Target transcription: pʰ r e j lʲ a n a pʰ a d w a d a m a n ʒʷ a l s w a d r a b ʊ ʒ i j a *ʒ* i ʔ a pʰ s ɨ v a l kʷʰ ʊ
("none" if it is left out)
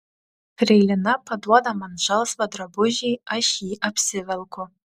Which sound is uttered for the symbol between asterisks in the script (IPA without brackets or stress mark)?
ʃ